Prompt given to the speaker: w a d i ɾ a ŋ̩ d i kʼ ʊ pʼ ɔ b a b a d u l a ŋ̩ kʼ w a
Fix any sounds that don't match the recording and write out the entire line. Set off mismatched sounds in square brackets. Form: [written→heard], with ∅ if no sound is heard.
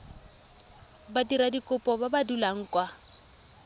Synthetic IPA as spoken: [w→b] a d i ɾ a [ŋ̩→∅] d i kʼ ʊ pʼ ɔ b a b a d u l a ŋ̩ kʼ w a